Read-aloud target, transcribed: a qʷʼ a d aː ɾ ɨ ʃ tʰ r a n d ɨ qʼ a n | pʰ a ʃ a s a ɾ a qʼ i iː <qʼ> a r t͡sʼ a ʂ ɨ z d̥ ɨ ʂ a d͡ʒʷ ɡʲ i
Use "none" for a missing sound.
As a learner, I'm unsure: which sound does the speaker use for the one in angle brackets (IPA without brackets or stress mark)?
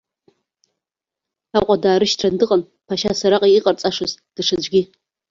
qʼ